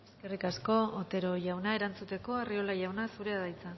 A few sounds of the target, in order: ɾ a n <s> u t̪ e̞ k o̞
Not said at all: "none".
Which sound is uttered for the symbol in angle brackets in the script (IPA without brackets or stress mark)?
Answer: t͡s